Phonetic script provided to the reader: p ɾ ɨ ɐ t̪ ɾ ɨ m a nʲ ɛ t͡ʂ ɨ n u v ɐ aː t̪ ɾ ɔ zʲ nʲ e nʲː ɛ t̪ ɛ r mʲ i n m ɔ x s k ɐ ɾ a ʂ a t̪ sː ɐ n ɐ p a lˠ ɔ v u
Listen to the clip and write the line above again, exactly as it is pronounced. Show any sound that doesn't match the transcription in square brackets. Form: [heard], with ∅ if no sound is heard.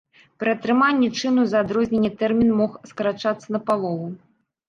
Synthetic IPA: p ɾ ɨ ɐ t̪ ɾ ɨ m a [nʲː] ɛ t͡ʂ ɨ n u [z] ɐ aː [d̪] ɾ ɔ zʲ nʲ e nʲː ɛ t̪ ɛ r mʲ i n m ɔ x s k ɐ ɾ a [t͡ʂ] a t̪ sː ɐ n ɐ p a lˠ ɔ v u